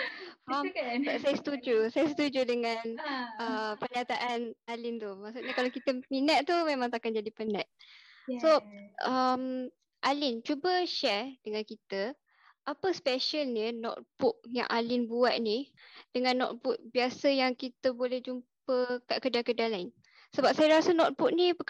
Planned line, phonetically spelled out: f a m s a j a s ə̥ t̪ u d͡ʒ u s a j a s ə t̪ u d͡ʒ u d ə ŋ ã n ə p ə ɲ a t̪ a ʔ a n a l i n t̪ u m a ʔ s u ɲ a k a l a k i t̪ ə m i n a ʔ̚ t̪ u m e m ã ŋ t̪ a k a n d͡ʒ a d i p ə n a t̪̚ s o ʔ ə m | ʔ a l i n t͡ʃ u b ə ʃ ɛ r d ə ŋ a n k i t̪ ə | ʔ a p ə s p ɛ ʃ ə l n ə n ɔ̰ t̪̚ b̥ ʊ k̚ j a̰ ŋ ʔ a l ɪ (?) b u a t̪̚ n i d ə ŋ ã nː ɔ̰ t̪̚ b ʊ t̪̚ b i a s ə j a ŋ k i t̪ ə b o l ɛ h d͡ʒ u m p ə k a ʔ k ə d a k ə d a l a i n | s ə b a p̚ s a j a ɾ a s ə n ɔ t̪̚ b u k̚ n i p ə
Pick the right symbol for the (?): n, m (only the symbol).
n